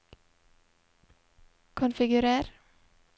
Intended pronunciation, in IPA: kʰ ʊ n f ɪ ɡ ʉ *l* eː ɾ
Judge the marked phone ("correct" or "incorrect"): incorrect